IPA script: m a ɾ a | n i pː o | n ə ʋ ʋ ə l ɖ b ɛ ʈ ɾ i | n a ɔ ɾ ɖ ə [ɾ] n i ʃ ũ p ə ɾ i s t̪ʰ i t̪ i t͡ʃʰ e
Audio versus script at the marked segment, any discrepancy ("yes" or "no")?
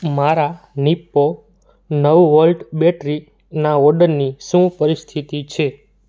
no